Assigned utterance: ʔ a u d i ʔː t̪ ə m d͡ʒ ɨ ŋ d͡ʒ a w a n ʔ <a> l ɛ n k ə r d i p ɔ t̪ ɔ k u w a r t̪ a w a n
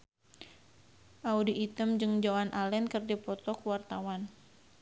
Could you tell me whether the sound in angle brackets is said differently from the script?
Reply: no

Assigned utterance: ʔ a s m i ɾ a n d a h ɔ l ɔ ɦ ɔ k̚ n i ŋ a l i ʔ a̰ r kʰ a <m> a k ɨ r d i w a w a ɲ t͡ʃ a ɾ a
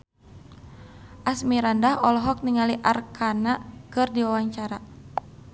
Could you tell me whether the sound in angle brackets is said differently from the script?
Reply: yes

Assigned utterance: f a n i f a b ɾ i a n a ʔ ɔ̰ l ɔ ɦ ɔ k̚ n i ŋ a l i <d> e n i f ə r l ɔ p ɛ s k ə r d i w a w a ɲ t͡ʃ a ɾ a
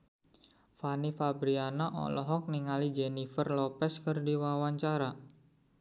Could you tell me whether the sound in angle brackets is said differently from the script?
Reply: yes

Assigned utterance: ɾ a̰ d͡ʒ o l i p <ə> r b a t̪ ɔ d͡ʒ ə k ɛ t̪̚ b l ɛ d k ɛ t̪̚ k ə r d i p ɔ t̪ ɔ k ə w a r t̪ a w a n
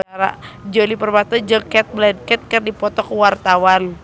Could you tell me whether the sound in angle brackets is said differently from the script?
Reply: no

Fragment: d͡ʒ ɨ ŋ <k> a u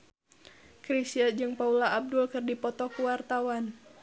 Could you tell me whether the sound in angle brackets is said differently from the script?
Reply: yes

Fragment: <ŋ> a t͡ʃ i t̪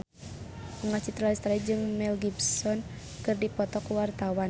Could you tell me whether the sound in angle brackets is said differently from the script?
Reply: no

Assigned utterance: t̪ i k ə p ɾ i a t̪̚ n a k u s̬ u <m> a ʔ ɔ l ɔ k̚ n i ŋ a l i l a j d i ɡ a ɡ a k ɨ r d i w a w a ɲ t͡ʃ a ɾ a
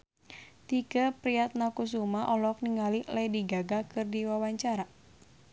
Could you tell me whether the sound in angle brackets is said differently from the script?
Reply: no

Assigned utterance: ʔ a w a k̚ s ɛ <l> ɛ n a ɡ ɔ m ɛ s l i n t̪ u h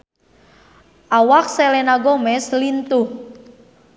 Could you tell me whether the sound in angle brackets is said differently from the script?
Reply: no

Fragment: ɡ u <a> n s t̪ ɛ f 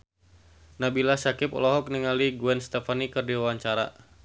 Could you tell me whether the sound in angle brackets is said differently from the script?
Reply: yes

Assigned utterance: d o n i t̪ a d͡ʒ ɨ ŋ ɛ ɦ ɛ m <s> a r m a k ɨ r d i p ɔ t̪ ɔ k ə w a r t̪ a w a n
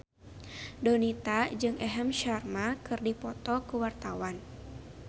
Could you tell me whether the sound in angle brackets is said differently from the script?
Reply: yes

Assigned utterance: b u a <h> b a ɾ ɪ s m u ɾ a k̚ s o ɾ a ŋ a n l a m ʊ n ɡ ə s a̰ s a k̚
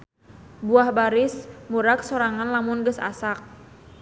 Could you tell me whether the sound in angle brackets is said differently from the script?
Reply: no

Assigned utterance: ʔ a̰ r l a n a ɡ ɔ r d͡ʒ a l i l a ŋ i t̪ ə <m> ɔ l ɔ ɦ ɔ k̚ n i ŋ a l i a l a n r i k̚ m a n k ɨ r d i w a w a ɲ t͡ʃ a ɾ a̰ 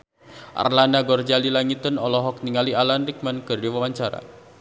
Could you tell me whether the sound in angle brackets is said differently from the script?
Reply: yes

